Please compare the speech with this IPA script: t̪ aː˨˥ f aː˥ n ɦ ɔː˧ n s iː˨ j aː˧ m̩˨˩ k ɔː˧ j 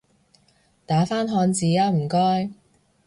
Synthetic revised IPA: t̪ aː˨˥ f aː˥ n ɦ ɔː˧ n t͡s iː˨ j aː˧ m̩˨˩ k ɔː˥ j